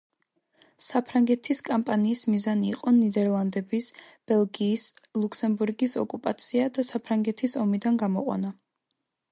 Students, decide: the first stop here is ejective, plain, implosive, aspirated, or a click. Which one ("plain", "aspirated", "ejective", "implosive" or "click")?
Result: aspirated